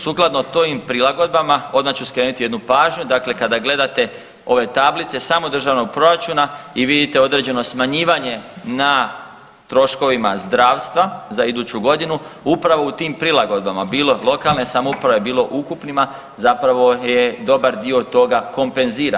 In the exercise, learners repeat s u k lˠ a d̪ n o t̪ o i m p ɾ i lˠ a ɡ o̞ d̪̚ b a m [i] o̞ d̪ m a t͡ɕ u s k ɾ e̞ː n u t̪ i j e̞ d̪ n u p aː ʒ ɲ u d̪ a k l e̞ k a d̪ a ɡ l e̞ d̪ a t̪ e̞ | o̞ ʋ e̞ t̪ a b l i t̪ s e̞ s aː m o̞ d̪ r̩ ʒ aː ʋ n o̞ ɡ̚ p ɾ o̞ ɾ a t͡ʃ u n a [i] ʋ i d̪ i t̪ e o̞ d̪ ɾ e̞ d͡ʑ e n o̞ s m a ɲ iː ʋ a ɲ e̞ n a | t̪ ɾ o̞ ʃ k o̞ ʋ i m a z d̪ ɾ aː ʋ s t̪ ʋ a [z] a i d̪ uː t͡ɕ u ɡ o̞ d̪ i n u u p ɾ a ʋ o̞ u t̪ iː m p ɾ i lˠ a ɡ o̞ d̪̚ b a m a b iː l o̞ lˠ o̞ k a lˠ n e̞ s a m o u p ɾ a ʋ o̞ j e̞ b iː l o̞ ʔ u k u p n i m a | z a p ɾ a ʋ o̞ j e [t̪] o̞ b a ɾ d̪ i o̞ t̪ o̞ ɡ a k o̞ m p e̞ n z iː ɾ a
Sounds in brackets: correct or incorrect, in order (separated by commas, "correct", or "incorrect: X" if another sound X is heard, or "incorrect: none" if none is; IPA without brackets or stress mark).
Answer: incorrect: a, correct, correct, incorrect: d̪